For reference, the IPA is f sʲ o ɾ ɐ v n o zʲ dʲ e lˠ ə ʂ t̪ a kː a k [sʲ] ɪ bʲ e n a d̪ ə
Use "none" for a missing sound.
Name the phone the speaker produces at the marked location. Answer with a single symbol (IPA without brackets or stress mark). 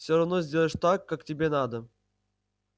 tʲ